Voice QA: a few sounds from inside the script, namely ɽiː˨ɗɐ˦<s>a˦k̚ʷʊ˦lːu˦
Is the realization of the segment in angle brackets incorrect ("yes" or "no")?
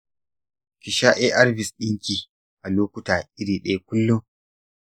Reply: yes